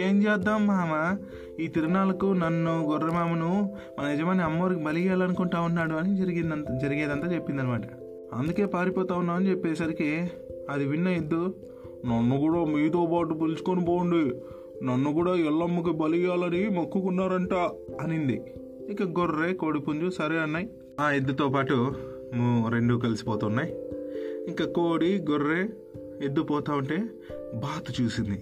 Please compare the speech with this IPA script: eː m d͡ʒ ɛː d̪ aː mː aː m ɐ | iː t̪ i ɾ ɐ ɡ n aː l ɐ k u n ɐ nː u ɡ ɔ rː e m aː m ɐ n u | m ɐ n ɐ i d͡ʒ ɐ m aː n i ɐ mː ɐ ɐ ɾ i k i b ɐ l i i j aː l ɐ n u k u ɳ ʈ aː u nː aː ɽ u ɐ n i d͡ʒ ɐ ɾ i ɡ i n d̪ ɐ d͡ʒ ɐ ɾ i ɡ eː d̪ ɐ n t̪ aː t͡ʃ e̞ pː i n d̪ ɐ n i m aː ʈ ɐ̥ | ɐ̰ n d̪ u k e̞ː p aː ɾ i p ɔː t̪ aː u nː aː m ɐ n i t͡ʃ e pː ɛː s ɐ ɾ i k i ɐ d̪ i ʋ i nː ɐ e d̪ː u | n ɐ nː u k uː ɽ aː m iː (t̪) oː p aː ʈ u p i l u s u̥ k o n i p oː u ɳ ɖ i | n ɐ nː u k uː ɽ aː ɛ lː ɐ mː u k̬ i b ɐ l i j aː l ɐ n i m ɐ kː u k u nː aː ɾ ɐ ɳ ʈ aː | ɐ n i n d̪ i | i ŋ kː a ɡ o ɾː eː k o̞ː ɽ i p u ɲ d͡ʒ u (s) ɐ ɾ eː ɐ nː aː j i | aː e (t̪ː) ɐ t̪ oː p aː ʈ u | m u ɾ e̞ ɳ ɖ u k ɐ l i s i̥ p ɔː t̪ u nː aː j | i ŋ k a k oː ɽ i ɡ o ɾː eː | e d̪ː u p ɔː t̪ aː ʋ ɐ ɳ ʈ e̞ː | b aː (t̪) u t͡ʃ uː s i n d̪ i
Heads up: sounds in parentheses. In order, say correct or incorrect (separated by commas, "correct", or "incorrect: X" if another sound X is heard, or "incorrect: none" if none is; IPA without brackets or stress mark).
correct, correct, incorrect: d̪ː, correct